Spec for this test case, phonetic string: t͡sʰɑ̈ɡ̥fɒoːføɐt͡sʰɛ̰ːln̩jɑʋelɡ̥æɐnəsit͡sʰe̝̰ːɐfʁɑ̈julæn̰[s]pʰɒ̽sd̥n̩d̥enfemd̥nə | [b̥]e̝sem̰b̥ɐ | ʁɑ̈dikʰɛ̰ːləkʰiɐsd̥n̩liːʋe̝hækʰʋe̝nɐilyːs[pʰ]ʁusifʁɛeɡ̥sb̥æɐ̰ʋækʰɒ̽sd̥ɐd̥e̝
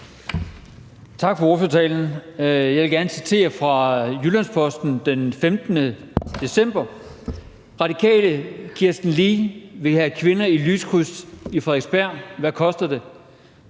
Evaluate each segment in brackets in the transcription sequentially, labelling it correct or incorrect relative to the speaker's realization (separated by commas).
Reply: correct, incorrect, incorrect